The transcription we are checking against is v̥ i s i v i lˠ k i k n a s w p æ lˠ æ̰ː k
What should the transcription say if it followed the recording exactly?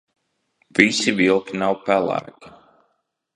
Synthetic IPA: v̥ i s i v i lˠ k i n a w p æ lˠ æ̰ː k